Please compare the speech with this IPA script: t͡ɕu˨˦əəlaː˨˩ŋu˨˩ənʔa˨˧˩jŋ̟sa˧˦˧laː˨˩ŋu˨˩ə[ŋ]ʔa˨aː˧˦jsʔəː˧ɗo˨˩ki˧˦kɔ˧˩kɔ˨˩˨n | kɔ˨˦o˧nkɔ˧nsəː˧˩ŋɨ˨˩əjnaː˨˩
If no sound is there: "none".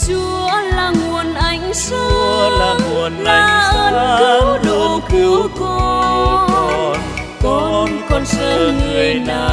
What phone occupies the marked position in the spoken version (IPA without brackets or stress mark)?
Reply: n